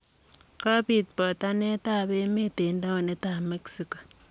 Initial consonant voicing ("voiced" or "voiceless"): voiceless